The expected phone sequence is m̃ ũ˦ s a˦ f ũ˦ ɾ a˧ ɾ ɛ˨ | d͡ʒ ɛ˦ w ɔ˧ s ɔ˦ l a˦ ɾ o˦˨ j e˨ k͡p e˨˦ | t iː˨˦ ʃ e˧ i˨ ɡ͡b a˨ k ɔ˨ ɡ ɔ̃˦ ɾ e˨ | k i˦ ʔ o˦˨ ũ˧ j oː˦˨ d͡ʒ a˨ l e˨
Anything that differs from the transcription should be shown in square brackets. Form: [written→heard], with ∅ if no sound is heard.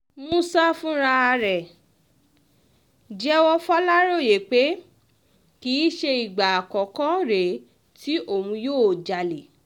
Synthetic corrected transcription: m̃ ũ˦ s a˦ f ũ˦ ɾ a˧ ɾ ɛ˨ | d͡ʒ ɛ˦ w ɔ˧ [s→f] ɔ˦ l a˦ ɾ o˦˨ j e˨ k͡p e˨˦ | [t→k] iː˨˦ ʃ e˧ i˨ ɡ͡b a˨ k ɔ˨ [ɡ→k] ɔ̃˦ ɾ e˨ | [k→t] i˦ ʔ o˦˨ ũ˧ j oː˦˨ d͡ʒ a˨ l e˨